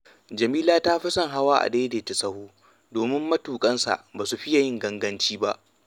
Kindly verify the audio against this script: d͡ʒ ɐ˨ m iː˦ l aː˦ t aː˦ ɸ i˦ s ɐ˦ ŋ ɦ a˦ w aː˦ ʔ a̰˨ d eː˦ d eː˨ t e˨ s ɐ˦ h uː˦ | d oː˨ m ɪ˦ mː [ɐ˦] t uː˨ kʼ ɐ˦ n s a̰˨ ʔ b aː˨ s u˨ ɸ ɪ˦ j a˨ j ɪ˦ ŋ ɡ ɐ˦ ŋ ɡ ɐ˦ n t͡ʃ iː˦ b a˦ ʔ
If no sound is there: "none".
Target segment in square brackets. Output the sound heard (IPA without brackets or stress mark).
ɐ˦